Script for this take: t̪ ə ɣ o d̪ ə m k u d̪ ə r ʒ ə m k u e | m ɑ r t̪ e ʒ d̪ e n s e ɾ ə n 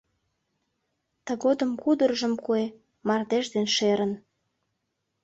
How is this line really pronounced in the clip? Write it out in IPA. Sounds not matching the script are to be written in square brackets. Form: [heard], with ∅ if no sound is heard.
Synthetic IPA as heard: t̪ ə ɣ o d̪ ə m k u d̪ ə r ʒ ə m k u e | m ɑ r [d̪] e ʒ d̪ e n [ʃ] e ɾ ə n